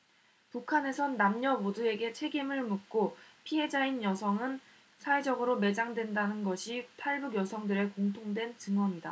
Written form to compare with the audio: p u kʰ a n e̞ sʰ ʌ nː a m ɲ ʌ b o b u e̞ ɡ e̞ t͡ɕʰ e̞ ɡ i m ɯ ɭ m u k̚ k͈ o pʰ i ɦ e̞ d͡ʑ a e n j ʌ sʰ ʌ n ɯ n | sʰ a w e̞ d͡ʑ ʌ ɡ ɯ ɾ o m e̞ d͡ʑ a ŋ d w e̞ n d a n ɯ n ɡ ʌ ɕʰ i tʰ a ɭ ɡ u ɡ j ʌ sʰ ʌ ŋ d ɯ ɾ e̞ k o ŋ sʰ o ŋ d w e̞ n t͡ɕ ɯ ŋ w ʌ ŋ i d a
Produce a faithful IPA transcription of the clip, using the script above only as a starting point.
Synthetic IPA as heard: p u kʰ a n e̞ sʰ ʌ nː a m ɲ ʌ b o d u e̞ ɡ e̞ t͡ɕʰ e̞ ɡ i m ɯ ɭ m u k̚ k͈ o pʰ i ɦ e̞ d͡ʑ a i n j ʌ sʰ ʌ ŋ ɯ n | sʰ a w e̞ d͡ʑ ʌ ɡ ɯ ɾ o m e̞ d͡ʑ a ŋ d w e̞ n d a n ɯ n ɡ ʌ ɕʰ i tʰ a ɭ b u ɡ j ʌ sʰ ʌ ŋ d ɯ ɾ e̞ k o ŋ tʰ o ŋ d w e̞ n t͡ɕ ɯ ŋ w ʌ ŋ i d a

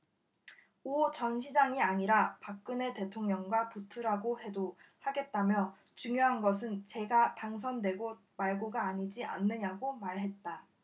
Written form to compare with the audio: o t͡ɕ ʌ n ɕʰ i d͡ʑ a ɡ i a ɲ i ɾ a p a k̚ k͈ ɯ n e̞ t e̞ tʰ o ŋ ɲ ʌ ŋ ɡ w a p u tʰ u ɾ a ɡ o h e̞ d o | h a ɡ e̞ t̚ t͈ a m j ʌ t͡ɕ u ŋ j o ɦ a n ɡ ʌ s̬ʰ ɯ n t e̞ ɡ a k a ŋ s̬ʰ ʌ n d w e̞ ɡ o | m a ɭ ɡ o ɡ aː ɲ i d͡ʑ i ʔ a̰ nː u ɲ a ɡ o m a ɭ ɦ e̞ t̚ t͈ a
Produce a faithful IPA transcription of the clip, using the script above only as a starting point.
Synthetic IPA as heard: o t͡ɕ ʌ n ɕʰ i d͡ʑ a ŋ i a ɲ i ɾ a p a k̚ k͈ ɯ n e̞ t e̞ tʰ o ŋ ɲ ʌ ŋ ɡ w a p u tʰ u ɾ a ɡ o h e̞ d o | h a ɡ e̞ t̚ t͈ a m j ʌ t͡ɕ u ŋ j o ɦ a n ɡ ʌ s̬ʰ ɯ n t͡ɕ e̞ ɡ a t a ŋ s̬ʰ ʌ n d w e̞ ɡ o | m a ɭ ɡ o ɡ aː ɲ i d͡ʑ i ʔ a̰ nː ɯ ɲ a ɡ o m a ɭ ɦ e̞ t̚ t͈ a

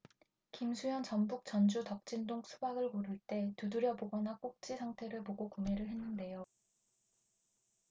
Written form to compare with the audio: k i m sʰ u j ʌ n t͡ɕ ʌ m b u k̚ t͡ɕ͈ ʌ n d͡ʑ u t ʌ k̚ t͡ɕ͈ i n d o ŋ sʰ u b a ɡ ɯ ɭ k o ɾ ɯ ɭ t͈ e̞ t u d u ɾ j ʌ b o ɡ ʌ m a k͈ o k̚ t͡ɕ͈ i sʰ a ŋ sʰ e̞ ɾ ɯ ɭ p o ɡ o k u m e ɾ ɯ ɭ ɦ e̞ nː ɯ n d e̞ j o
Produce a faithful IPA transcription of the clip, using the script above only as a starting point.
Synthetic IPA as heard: k i m sʰ u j ʌ n t͡ɕ ʌ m b u k̚ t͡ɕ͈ ʌ n d͡ʑ u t ʌ k̚ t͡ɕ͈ i n d o ŋ sʰ u b a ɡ ɯ ɭ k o ɾ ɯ ɭ t͈ e̞ t u d u ɾ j ʌ b o ɡ ʌ n a k͈ o k̚ t͡ɕ͈ i sʰ a ŋ tʰ e̞ ɾ ɯ ɭ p o ɡ o k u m e ɾ ɯ ɭ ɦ e̞ nː ɯ n d e̞ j o

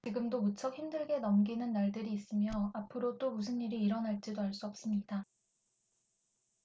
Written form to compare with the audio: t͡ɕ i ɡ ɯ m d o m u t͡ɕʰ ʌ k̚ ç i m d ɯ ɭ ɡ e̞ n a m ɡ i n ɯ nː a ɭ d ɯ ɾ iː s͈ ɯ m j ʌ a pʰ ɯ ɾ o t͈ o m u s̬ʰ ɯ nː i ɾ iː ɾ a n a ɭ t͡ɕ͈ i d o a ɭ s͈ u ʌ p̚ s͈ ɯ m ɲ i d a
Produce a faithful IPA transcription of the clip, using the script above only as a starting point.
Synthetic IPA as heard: t͡ɕ i ɡ ɯ m d o m u t͡ɕʰ ʌ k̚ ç i m d ɯ ɭ ɡ e̞ n ʌ m ɡ i n ɯ nː a ɭ d ɯ ɾ iː s͈ ɯ m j ʌ a pʰ ɯ ɾ o t͈ o m u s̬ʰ ɯ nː i ɾ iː ɾ ʌ n a ɭ t͡ɕ͈ i d o a ɭ s͈ u ʌ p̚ s͈ ɯ m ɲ i d a

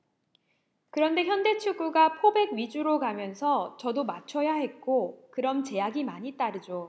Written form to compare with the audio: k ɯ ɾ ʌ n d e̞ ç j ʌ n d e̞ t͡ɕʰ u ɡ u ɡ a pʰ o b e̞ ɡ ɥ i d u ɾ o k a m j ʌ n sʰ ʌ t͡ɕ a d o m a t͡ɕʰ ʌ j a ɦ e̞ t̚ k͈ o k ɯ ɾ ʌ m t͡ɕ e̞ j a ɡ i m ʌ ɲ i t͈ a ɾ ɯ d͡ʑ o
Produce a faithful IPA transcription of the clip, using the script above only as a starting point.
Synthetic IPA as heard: k ɯ ɾ ʌ n d e̞ ç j ʌ n d e̞ t͡ɕʰ u ɡ u ɡ a pʰ o b e̞ ɡ ɥ i d͡ʑ u ɾ o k a m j ʌ n sʰ ʌ t͡ɕ ʌ d o m a t͡ɕʰ ʌ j a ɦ e̞ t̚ k͈ o k ɯ ɾ ʌ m t͡ɕ e̞ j a ɡ i m a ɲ i t͈ a ɾ ɯ d͡ʑ o

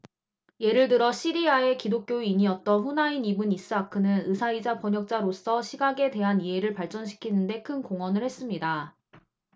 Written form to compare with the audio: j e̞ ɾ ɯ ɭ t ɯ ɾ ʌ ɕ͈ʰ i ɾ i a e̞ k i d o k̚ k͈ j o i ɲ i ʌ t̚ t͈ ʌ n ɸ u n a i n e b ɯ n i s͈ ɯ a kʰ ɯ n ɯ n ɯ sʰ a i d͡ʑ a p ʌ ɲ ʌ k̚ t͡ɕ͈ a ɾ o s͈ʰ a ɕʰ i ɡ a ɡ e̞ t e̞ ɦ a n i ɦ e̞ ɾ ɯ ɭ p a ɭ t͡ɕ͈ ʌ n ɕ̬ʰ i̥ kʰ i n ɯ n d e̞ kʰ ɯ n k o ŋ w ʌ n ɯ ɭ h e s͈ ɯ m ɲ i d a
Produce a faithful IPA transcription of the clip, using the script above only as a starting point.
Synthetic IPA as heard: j e̞ ɾ ɯ ɭ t ɯ ɾ ʌ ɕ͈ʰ i ɾ i a e̞ k i d o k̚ k͈ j o i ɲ i ʌ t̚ t͈ ʌ n ɸ u n a i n i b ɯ n i s͈ ɯ a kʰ ɯ n ɯ n ɯ sʰ a i d͡ʑ a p ʌ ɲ ʌ k̚ t͡ɕ͈ a ɾ o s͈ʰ ʌ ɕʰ i ɡ a ɡ e̞ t e̞ ɦ a n i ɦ e̞ ɾ ɯ ɭ p a ɭ t͡ɕ͈ ʌ n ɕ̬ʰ i̥ kʰ i n ɯ n d e̞ kʰ ɯ n k o ŋ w ʌ n ɯ ɭ h e s͈ ɯ m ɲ i d a

